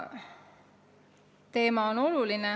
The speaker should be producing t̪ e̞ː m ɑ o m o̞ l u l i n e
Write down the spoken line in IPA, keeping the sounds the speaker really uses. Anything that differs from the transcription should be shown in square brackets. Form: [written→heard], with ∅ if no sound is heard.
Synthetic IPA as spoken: t̪ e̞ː m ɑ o [m→n] o̞ l u l i n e